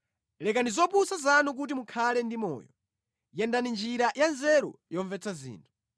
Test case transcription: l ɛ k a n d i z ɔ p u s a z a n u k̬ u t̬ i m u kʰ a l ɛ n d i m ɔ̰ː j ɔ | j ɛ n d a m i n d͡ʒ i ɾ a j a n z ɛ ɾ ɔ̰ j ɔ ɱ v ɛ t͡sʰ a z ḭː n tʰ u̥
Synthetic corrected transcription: l ɛ k a n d i z ɔ p u s a z a n u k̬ u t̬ i m u kʰ a l ɛ n d i m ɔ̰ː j ɔ | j ɛ n d a n i n d͡ʒ i ɾ a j a n z ɛ ɾ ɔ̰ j ɔ ɱ v ɛ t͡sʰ a z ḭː n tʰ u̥

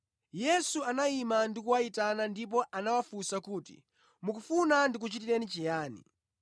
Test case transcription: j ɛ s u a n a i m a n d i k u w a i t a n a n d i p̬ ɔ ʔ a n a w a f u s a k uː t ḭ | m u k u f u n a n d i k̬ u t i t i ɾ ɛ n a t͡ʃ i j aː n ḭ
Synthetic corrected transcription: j ɛ s u a n a i m a n d i k u w a i t a n a n d i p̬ ɔ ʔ a n a w a f u s a k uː t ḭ | m u k u f u n a n d i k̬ u t͡ʃ i t i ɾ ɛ n i t͡ʃ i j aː n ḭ

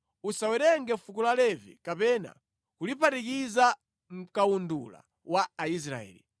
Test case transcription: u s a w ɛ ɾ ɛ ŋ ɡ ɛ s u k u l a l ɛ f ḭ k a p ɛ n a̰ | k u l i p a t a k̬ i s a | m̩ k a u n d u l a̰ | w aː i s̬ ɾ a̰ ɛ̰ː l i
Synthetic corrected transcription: u s a w ɛ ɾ ɛ ŋ ɡ ɛ f u k u l a l ɛ v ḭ k a p ɛ n a̰ | k u l i p a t i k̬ i z a | m̩ k a u n d u l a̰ | w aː i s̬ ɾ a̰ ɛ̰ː l i

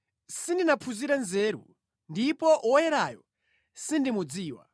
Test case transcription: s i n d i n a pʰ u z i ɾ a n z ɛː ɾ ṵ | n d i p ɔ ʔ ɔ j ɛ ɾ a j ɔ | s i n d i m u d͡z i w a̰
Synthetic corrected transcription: s i n d i n a pʰ u z i ɾ a n z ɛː ɾ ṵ | n d i p ɔ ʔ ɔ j ɛ ɾ a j ɔ | s i n d i m u d͡z iː w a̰

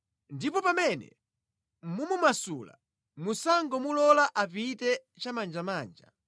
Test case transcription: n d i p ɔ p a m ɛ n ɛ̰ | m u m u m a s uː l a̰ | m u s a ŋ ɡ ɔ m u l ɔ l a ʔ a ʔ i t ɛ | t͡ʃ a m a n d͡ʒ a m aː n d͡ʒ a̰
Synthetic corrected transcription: n d i p ɔ p a m ɛ n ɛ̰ | m u m u m a s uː l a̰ | m u s a ŋ ɡ ɔ m u l ɔ l a ʔ a p i t ɛ | t͡ʃ a m a n d͡ʒ a m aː n d͡ʒ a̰

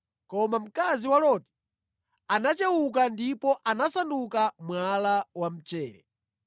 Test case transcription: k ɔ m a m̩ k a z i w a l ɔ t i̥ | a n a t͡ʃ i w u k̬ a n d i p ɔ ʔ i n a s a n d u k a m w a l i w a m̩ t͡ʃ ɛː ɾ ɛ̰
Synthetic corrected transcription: k ɔ m a m̩ k a z i w a l ɔ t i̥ | a n a t͡ʃ ɛ w u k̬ a n d i p ɔ ʔ a n a s a n d u k a m w a l a w a m̩ t͡ʃ ɛː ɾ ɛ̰

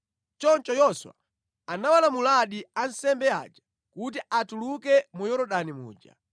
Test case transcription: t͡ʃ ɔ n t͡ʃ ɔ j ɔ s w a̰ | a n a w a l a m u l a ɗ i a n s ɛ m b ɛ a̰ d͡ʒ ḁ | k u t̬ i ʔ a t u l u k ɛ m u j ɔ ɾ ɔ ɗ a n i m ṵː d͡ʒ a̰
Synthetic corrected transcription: t͡ʃ ɔ n t͡ʃ ɔ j ɔ s w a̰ | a n a w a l a m u l a ɗ i a n s ɛ m b ɛ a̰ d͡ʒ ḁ | k u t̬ i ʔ a t u l u k ɛ m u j ɔ ɾ ɔ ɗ a n i m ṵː d͡ʒ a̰

